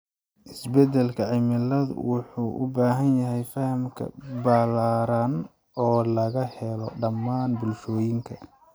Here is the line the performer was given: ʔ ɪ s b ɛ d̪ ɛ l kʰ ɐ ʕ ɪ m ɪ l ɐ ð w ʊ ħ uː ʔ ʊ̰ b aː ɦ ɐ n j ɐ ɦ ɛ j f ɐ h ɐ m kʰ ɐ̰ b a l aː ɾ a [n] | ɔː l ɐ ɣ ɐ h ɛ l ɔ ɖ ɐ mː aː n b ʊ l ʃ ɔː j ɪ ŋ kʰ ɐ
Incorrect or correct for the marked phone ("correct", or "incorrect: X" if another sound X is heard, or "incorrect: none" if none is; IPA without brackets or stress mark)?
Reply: correct